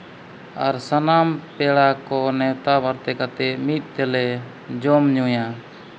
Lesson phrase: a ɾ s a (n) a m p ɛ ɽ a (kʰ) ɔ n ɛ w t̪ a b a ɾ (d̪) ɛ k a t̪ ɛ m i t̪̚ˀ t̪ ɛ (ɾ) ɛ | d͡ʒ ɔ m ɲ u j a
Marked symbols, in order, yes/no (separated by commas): yes, no, no, no